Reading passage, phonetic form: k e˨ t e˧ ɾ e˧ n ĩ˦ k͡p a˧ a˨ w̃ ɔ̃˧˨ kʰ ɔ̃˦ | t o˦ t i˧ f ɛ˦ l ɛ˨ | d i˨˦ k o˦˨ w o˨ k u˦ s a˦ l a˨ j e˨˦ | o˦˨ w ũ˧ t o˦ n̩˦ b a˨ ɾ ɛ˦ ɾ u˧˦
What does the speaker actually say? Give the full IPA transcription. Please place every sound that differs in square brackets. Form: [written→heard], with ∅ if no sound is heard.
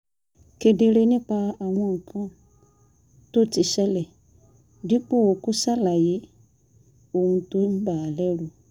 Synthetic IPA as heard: k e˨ [t→d] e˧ ɾ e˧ n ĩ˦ k͡p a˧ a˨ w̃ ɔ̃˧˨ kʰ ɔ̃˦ | t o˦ t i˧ [f→ʃ] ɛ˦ l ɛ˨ | d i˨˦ [k→k͡p] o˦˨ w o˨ k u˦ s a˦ l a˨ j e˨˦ | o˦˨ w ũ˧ t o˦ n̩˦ b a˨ [ɾ→l] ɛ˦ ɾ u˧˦